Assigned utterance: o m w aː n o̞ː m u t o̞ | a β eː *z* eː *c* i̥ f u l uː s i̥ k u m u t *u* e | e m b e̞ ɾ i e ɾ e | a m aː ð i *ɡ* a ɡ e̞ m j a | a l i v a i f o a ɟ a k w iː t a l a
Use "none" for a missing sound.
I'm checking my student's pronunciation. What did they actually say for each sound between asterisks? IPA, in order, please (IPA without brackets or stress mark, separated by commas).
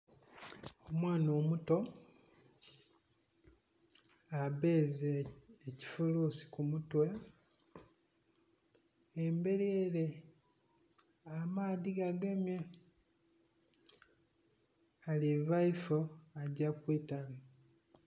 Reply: z, c, w, ɡ